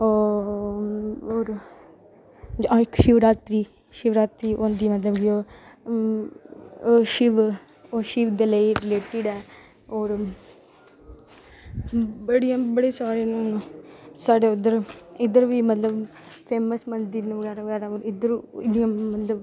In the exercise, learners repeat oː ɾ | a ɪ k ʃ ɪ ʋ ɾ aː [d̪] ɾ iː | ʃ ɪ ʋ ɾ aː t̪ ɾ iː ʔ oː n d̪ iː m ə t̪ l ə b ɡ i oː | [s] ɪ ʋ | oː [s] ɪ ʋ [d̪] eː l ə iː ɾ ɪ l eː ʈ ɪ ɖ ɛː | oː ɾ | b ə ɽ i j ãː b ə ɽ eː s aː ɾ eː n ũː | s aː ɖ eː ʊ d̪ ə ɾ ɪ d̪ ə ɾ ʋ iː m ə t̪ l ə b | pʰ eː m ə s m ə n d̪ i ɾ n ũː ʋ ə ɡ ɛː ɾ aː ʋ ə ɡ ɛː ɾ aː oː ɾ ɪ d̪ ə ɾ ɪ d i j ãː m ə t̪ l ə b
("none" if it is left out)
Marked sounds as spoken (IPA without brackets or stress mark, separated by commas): t̪, ʃ, ʃ, d̪